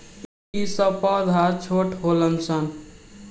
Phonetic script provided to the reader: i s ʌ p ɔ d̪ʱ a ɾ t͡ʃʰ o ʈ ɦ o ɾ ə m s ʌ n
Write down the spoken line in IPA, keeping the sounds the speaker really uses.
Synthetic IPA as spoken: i s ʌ p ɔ d̪ʱ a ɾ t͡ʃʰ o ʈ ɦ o l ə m s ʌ n